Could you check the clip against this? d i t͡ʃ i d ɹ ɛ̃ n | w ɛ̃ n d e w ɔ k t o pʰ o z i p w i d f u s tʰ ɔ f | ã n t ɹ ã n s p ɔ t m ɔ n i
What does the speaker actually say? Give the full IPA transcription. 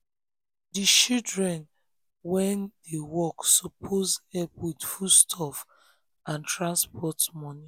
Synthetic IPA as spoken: d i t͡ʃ i d ɹ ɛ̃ n | w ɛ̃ n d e w ɔ k s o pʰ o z ɛ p w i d f u s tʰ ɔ f | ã n t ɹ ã n s p ɔ t m ɔ n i

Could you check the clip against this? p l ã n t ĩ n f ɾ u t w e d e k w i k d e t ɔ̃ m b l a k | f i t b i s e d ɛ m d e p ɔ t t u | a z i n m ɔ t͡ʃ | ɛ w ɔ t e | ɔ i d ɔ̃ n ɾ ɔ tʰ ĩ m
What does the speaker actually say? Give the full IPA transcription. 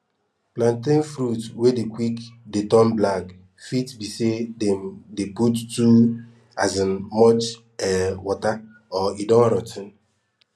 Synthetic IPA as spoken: p l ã n t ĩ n f ɾ u t w e d e k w i k d e t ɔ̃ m b l a k | f i t b i s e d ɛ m d e p u t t u | a z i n m ɔ t͡ʃ | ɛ w ɔ t a | ɔ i d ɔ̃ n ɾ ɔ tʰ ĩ n

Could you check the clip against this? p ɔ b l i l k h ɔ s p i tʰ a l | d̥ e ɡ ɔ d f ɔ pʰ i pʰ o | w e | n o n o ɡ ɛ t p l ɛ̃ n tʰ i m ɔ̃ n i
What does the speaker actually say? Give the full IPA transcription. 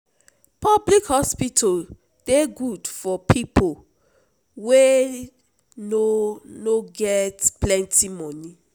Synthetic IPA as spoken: p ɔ b l i k h ɔ s p i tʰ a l | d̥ e ɡ u d f ɔ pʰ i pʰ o | w e | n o n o ɡ ɛ t p l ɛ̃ n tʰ i m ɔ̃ n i

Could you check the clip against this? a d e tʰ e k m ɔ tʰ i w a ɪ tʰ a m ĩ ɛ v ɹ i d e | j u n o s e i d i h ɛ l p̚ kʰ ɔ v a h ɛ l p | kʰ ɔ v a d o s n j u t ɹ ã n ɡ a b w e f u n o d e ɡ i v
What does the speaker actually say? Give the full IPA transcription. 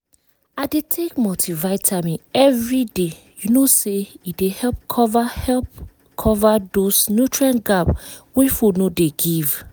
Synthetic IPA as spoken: a d e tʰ e k m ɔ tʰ i v a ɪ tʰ a m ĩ ɛ v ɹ i d e | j u n o s e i d e h ɛ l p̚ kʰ ɔ v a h ɛ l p | kʰ ɔ v a d o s n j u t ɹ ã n ɡ a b w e f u n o d e ɡ i v

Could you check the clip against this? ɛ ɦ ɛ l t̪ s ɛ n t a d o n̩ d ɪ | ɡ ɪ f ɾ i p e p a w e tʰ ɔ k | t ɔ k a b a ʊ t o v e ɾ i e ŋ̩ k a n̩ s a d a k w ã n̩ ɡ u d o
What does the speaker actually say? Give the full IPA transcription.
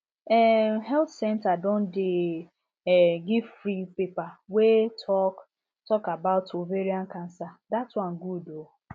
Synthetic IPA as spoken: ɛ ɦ ɛ l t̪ s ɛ n t a d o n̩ d ɪ | ɡ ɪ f ɾ i p e p a w e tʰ ɔ k | t ɔ k a b a ʊ t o v e ɾ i a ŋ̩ k a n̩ s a d a t w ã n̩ ɡ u d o

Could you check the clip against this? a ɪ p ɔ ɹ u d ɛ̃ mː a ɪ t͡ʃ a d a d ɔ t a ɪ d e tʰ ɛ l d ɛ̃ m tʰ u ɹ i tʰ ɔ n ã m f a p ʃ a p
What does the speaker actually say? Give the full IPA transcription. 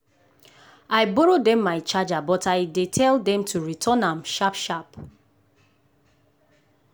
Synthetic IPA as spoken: a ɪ b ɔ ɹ o d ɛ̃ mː a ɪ t͡ʃ a d͡ʒ a b ɔ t a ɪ d e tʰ ɛ l d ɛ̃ m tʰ u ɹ i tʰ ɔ n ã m ʃ a p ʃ a p

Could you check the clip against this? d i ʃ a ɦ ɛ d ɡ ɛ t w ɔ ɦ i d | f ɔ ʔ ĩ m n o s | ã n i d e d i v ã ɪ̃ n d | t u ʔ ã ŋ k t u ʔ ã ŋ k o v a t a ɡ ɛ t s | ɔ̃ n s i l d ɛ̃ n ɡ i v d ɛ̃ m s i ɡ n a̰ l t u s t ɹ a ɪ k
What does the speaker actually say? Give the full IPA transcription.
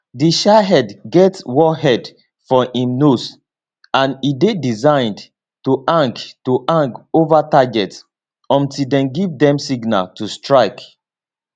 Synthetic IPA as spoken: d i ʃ a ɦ ɛ d ɡ ɛ t w ɔ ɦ ɛ d | f ɔ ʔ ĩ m n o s | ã n i d e d i z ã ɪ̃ n d | t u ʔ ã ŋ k t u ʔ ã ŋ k o v a t a ɡ ɛ t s | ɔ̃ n t i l d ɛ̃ n ɡ i v d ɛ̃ m s i ɡ n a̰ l t u s t ɹ a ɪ k

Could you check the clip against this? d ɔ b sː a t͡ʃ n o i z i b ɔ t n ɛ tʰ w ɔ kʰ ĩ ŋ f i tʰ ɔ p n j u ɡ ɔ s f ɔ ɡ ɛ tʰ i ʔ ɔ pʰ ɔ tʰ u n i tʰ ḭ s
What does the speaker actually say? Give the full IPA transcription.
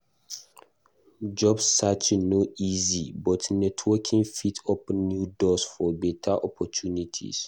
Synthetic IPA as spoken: d͡ʒ ɔ b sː a t͡ʃ n o i z i b ɔ t n ɛ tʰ w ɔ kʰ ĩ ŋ f i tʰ ɔ p n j u d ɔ s f ɔ b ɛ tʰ a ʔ ɔ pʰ ɔ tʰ u n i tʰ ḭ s

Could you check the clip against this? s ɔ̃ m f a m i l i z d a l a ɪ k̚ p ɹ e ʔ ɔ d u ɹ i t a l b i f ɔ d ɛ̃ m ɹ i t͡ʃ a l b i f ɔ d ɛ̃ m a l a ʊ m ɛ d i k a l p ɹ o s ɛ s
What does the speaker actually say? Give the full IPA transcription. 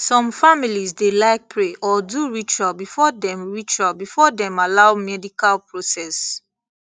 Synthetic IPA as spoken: s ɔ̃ m f a m i l i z d e l a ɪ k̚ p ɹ e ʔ ɔ d u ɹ i t͡ʃ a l b i f ɔ d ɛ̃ m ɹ i t͡ʃ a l b i f ɔ d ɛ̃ m a l a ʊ m ɛ d i k a l p ɹ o s ɛ s

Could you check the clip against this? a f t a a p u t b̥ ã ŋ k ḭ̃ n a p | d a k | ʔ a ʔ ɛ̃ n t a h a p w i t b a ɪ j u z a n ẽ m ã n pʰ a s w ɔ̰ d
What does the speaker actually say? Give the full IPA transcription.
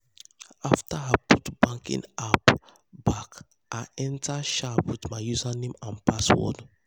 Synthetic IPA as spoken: a f t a a p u t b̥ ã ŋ k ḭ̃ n a p | b a k | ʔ a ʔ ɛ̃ n t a ʃ a p w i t m a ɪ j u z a n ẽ m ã n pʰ a s w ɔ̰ d

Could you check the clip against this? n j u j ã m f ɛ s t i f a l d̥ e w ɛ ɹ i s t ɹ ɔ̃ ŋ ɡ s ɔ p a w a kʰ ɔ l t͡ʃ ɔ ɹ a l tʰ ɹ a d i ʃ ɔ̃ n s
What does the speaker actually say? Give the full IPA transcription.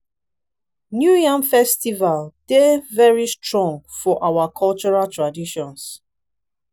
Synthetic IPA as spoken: n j u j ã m f ɛ s t i v a l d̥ e v ɛ ɹ i s t ɹ ɔ̃ ŋ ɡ f ɔ ʔ a w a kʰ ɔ l t͡ʃ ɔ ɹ a l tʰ ɹ a d i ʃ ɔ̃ n s

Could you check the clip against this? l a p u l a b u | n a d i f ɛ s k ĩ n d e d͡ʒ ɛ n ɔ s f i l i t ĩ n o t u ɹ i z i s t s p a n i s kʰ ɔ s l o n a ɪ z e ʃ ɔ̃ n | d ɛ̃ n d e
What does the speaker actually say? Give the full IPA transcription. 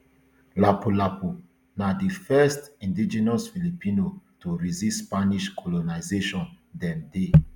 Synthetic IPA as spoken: l a p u l a p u | n a d i f ɛ s t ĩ n d i d͡ʒ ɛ n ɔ s f i l i p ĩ n o t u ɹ i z i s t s p a n i ʃ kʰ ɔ l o n a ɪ z e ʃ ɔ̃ n | d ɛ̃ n d e

